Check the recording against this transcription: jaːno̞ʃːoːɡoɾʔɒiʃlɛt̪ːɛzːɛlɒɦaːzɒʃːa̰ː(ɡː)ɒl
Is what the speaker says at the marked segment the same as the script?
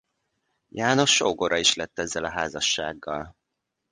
yes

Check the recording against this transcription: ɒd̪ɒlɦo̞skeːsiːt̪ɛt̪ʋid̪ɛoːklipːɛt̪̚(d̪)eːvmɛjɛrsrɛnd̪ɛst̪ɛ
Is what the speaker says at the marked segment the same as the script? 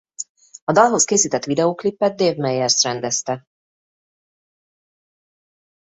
yes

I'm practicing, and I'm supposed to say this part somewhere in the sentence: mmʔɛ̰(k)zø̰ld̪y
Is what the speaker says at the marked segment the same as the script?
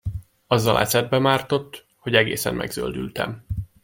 no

